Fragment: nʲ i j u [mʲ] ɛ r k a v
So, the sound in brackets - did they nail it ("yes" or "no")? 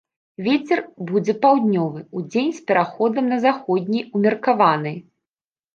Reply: yes